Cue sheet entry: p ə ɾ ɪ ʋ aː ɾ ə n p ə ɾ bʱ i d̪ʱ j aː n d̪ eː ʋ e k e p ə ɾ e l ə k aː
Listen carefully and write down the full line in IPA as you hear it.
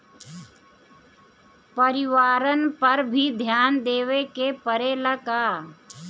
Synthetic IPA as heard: p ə ɾ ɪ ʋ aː ɾ ə n p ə ɾ bʱ i d̪ʱ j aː n d̪ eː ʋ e k e p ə ɾ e l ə k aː